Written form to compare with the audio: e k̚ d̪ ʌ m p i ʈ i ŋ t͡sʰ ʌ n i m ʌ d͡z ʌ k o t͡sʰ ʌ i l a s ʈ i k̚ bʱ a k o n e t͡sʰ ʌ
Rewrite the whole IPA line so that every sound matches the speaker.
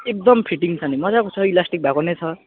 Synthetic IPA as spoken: e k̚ d̪ ʌ m pʰ i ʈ i ŋ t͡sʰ ʌ n i m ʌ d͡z a k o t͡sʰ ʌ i l a s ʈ i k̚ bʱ a k o n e t͡sʰ ʌ